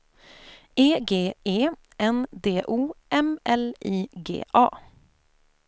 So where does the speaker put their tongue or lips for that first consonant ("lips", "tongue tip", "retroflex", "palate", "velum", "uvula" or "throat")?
velum